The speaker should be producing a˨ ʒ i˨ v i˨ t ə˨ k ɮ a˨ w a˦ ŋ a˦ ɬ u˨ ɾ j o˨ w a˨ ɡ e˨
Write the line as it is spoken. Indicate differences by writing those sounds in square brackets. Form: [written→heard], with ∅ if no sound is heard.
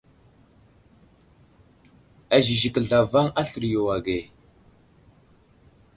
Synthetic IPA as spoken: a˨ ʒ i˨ [v→ʒ] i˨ [t→k] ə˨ [k→∅] ɮ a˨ [w→v] a˦ ŋ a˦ ɬ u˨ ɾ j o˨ w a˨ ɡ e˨